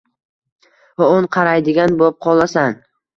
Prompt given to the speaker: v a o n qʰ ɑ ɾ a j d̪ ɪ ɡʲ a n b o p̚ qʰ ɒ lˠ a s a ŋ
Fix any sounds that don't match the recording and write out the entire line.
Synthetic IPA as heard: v a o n qʰ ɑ ɾ a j d̪ ɪ ɡʲ a n b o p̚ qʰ ɒ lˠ a s a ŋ